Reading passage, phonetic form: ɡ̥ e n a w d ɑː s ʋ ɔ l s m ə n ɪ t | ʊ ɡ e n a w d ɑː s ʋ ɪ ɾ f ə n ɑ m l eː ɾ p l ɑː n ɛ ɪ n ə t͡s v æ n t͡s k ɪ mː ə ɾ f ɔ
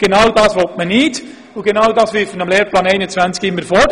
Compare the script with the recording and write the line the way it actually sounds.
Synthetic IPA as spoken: ɡ̥ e n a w d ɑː s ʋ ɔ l t m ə n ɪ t | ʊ ɡ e n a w d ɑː s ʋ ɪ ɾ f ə n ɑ m l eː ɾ p l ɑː n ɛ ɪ n ə t͡s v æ n t͡s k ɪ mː ə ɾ f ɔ

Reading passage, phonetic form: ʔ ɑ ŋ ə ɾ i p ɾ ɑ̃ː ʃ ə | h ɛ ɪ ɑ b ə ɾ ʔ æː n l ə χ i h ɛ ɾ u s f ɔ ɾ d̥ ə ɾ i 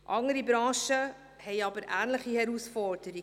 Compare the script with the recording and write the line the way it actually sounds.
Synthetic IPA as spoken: ʔ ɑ ŋ ə ɾ i b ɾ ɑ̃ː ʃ ə | h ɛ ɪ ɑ b ə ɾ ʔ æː n l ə χ i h ɛ ɾ u s f ɔ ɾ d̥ ə ɾ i

